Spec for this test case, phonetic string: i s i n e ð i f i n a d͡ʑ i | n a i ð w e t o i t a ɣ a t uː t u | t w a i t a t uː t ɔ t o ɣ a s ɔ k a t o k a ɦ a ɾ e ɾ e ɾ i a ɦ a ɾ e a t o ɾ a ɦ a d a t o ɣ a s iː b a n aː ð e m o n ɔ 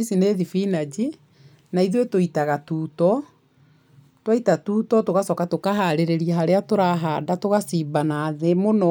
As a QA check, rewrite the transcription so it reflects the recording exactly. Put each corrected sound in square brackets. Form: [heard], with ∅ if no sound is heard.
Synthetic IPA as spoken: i s i n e ð i f i n a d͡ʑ i | n a i ð w e t o i t a ɣ a t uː t [ɔ] | t w a i t a t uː t ɔ t o ɣ a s ɔ k a t o k a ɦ a ɾ e ɾ e ɾ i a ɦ a ɾ e a t o ɾ a ɦ a d a t o ɣ a s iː b a n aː ð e m o n ɔ